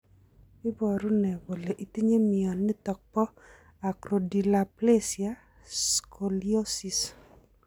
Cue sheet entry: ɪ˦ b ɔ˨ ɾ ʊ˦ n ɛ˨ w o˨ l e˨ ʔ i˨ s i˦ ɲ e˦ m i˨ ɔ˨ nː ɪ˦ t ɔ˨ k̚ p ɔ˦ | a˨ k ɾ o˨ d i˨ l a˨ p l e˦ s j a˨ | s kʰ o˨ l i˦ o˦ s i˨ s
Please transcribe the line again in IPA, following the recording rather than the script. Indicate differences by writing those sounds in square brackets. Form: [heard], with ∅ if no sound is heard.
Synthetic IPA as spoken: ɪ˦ b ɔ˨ ɾ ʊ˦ n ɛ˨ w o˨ l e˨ ʔ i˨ [t] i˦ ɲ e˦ m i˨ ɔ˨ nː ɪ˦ t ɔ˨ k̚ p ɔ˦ | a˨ k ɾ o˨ d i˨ l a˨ p l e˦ s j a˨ | s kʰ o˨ l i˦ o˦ s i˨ s